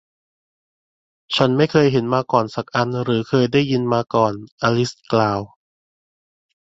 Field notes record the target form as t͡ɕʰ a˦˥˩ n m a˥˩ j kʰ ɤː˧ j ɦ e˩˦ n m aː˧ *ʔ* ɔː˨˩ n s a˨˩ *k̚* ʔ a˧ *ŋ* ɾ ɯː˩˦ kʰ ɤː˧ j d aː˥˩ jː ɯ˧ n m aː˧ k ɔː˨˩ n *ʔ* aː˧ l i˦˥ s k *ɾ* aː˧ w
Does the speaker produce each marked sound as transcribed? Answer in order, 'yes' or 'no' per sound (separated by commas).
no, yes, no, yes, no